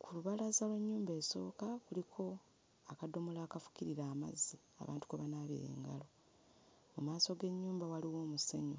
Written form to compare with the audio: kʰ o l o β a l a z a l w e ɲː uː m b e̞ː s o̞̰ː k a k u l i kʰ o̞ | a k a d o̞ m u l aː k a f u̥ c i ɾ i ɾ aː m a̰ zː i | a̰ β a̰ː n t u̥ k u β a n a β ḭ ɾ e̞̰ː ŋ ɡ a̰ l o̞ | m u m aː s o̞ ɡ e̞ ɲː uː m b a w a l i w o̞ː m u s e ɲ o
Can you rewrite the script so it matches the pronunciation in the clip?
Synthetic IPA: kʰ u l u β a l a z a l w e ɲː uː m b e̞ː s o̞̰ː k a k u l i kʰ o̞ | a k a d o̞ m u l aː k a f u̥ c i ɾ i ɾ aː m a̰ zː i | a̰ β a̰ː n t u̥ k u β a n a β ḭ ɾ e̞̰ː ŋ ɡ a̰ l o̞ | m u m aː s o̞ ɡ e̞ ɲː uː m b a w a l i w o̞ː m u s e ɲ o

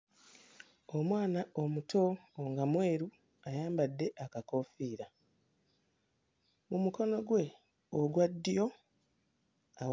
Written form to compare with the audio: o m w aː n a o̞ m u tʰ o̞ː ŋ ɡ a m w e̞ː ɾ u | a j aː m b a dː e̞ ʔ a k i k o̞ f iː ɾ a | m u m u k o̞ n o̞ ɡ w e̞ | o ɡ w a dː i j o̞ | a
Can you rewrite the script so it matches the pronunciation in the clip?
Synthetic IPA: o m w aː n a o̞ m u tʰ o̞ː ŋ ɡ a m w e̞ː ɾ u | a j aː m b a dː e̞ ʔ a k a k o̞ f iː ɾ a | m u m u k o̞ n o̞ ɡ w e̞ | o ɡ w a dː i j o̞ | a

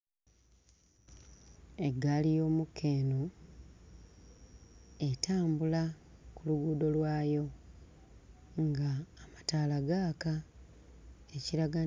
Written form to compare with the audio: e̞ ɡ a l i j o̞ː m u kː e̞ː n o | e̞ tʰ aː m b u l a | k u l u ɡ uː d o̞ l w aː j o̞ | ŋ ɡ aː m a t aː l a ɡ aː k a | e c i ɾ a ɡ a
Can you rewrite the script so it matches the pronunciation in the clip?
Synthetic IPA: e̞ ɡ a l i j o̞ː m u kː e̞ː n o | e̞ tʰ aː m b u l a | k u l u ɡ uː d o̞ l w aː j o̞ | ŋ ɡ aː m a t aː l a ɡ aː k a | e c i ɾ a ɡ a

